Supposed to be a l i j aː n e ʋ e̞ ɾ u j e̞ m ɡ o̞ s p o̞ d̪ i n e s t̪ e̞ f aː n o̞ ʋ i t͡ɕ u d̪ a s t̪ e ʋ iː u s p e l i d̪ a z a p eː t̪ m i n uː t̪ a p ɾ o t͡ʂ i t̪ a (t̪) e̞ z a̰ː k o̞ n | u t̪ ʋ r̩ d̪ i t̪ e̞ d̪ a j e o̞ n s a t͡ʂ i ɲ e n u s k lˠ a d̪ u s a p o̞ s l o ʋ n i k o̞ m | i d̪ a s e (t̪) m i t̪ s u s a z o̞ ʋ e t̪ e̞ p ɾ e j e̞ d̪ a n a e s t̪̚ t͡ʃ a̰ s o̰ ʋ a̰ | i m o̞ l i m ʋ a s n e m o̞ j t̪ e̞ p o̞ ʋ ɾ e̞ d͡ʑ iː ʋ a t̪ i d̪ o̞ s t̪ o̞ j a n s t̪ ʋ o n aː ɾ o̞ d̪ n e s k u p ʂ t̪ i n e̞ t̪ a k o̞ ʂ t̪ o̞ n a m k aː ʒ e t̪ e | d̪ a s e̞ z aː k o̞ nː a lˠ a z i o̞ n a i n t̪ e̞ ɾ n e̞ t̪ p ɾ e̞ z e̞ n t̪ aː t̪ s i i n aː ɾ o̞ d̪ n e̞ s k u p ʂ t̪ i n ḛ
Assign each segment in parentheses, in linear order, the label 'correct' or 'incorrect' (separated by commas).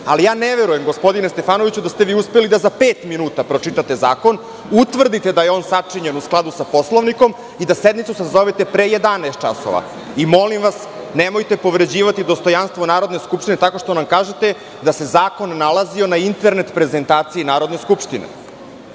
correct, incorrect